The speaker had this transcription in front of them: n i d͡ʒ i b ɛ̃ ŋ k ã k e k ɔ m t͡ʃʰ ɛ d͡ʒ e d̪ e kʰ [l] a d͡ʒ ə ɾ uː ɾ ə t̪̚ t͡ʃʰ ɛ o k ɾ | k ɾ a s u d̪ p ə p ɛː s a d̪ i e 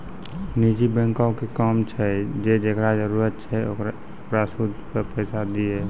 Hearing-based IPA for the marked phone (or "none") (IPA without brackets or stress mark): ɾ